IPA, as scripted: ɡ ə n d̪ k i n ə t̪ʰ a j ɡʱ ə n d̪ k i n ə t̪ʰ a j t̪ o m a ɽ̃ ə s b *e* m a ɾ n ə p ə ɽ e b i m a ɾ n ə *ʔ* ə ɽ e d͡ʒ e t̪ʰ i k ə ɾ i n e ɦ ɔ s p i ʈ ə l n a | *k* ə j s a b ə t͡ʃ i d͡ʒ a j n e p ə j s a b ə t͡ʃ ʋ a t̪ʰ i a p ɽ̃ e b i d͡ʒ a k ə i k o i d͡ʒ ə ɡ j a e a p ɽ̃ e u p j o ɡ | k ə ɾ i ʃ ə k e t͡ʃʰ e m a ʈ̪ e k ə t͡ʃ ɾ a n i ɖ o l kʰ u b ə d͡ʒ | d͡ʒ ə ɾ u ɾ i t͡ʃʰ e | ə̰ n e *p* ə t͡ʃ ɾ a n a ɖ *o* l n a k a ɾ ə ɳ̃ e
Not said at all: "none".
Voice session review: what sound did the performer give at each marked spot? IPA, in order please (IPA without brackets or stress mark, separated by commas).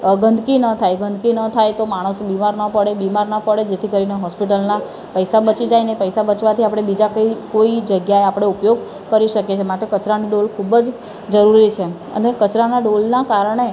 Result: i, p, p, k, o